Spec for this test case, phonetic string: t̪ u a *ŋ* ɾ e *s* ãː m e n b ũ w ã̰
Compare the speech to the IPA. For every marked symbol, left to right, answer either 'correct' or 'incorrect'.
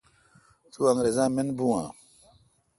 correct, incorrect

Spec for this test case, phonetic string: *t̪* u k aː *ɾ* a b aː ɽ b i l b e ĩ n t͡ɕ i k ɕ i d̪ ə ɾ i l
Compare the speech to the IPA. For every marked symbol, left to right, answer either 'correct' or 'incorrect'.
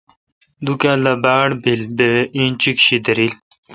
incorrect, incorrect

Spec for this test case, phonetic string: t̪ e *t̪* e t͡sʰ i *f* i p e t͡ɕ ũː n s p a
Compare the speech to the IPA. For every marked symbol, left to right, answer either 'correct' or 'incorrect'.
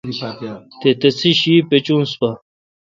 correct, incorrect

